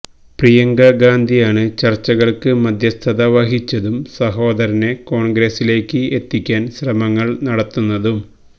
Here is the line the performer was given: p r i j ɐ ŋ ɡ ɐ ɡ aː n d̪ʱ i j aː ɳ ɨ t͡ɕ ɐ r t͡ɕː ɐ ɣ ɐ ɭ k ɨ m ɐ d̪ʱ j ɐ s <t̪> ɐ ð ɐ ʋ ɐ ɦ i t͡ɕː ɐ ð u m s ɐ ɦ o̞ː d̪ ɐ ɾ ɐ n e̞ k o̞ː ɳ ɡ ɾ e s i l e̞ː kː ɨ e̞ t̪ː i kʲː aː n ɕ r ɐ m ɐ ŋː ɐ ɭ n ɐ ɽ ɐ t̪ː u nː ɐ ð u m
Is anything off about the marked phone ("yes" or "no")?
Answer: yes